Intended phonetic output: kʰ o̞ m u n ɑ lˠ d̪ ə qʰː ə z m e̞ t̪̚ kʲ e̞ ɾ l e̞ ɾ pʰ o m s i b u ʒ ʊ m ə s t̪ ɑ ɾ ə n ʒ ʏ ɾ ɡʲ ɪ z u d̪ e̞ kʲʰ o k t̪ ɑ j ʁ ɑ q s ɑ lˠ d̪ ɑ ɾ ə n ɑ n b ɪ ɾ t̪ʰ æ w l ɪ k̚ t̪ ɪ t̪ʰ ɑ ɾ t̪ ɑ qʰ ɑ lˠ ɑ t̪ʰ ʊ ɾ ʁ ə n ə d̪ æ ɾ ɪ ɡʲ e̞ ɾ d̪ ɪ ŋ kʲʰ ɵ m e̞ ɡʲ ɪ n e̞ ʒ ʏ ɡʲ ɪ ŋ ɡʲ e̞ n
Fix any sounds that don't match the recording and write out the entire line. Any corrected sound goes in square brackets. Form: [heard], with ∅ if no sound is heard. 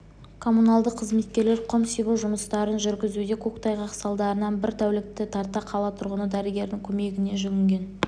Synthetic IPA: kʰ o̞ m u n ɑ lˠ d̪ ə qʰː ə z m e̞ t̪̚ kʲ e̞ ɾ l e̞ ɾ [qʰ] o m s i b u ʒ ʊ m ə s t̪ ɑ ɾ ə n ʒ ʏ ɾ ɡʲ ɪ z u d̪ e̞ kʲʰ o k t̪ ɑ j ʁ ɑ q s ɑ lˠ d̪ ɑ ɾ ə n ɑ n b ɪ ɾ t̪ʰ æ w l ɪ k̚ t̪ ɪ t̪ʰ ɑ ɾ t̪ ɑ qʰ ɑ lˠ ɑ t̪ʰ ʊ ɾ ʁ ə n ə d̪ æ ɾ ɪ ɡʲ e̞ ɾ d̪ ɪ ŋ kʲʰ ɵ m e̞ ɡʲ ɪ n e̞ ʒ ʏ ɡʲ ɪ ŋ ɡʲ e̞ n